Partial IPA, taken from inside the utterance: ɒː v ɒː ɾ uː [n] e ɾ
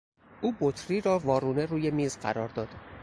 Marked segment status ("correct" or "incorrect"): correct